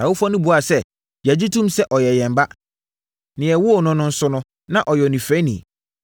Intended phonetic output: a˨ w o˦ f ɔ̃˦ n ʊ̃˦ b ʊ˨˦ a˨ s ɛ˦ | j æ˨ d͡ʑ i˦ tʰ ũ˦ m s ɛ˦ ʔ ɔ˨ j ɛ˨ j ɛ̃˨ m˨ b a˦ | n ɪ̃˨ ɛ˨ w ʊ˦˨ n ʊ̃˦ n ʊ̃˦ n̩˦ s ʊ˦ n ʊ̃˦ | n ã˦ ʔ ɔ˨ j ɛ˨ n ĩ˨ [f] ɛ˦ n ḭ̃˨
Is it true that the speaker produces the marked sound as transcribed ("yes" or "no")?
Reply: yes